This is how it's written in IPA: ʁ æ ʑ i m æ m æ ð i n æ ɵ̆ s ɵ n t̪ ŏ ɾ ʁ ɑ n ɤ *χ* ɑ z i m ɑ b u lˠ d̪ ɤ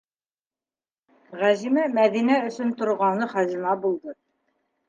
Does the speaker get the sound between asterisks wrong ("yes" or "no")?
no